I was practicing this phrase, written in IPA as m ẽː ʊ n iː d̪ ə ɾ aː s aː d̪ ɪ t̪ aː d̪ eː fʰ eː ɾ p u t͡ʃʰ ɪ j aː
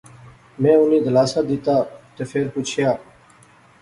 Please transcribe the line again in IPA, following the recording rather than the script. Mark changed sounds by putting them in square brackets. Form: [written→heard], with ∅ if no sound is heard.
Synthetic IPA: m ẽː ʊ n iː d̪ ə [ɾ→l] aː s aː d̪ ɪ t̪ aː [d̪→t̪] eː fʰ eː ɾ p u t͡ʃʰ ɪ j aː